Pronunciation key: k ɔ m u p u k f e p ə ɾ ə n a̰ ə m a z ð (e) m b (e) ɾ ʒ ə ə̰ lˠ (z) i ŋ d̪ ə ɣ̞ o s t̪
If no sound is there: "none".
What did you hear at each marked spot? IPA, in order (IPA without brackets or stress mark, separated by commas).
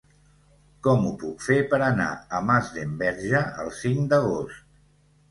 e, ɛ, s